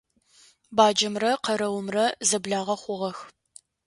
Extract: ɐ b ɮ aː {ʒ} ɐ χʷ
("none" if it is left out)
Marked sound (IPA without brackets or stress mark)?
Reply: ʁ